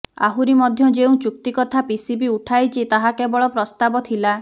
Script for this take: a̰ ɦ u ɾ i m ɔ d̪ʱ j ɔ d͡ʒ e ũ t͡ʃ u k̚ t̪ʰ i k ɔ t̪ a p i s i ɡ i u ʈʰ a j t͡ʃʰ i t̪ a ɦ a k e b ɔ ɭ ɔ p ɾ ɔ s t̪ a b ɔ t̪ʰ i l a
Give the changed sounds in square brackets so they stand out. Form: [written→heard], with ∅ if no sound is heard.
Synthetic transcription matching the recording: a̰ ɦ u ɾ i m ɔ d̪ʱ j ɔ d͡ʒ e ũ t͡ʃ u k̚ [t̪ʰ→t̪] i k ɔ [t̪→t̪ʰ] a p i s i [ɡ→b] i u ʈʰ a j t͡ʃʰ i t̪ a ɦ a k e b ɔ ɭ ɔ p ɾ ɔ s t̪ a b ɔ t̪ʰ i l a